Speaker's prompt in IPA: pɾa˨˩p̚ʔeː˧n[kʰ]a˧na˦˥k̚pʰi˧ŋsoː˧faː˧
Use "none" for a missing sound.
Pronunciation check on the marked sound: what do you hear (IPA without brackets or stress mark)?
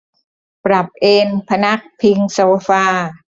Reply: pʰ